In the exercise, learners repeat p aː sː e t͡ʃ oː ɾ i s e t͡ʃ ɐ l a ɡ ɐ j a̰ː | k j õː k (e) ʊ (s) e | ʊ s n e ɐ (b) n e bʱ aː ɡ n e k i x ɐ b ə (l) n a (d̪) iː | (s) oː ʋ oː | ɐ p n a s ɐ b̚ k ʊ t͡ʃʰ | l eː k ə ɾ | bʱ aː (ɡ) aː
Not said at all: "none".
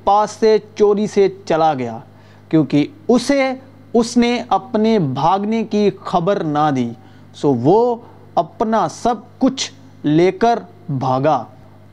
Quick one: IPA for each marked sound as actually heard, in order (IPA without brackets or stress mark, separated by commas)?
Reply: i, s, p, ɾ, d̪, s, ɡ